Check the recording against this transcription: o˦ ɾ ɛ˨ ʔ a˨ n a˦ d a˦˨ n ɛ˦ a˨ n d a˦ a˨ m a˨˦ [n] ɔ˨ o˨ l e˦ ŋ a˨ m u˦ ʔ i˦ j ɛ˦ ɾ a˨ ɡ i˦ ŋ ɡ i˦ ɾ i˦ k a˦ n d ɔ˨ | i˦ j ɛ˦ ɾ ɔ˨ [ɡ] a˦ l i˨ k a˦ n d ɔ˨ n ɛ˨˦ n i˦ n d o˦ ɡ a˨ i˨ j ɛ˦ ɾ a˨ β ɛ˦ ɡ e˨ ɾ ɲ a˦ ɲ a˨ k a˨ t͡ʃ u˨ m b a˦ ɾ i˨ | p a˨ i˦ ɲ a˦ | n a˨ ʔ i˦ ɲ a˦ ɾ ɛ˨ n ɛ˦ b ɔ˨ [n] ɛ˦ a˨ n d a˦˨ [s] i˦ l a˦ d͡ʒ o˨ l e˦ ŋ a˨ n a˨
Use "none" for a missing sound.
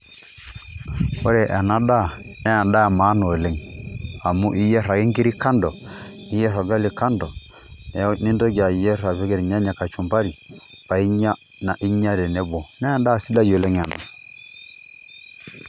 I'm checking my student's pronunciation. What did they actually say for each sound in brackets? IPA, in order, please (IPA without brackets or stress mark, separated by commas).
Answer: n, ɡ, n, s